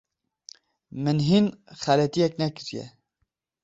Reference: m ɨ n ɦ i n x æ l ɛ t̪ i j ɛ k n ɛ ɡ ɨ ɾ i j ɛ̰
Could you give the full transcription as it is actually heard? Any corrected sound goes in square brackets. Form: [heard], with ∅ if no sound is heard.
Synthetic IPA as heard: m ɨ n ɦ i n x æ l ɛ t̪ i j ɛ k n ɛ [k] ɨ ɾ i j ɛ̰